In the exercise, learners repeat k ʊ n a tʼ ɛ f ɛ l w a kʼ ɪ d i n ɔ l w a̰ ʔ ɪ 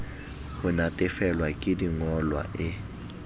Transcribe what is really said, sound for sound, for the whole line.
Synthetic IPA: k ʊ n a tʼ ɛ f ɛ l w a kʼ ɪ d i ŋ ɔ l w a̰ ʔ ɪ